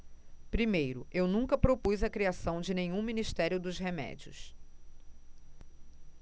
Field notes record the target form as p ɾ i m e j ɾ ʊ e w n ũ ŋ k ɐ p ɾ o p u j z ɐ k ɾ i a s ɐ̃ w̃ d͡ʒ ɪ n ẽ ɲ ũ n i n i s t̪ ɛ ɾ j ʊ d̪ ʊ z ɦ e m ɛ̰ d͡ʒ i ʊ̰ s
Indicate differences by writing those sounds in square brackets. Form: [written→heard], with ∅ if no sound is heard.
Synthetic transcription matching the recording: p ɾ i m e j ɾ ʊ e w n ũ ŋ k ɐ p ɾ o p u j z ɐ k ɾ i a s ɐ̃ w̃ d͡ʒ ɪ n ẽ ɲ ũ [n→m] i n i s t̪ ɛ ɾ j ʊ d̪ ʊ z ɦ e m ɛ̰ d͡ʒ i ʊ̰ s